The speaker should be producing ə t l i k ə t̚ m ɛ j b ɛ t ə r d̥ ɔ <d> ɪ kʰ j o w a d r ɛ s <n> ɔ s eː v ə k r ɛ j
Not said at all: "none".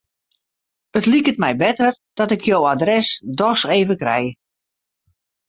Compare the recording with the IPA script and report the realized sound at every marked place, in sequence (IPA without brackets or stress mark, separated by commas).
t, d